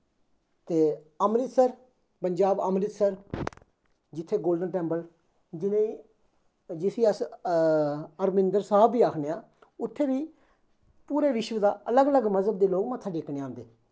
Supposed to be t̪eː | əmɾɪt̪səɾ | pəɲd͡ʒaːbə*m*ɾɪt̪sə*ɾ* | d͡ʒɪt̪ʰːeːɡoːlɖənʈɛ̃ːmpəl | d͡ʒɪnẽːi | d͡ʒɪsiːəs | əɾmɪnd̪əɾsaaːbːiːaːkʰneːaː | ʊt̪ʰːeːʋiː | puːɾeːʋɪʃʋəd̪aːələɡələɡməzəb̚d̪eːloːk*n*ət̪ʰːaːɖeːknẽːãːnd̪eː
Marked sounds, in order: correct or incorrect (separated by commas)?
correct, correct, incorrect